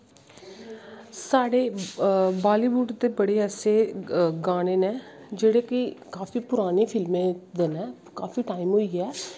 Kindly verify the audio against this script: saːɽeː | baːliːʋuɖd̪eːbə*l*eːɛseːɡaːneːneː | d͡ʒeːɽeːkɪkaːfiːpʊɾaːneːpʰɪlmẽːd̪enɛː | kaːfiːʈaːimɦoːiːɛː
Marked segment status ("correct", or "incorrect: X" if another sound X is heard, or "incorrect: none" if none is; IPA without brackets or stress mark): incorrect: ɽ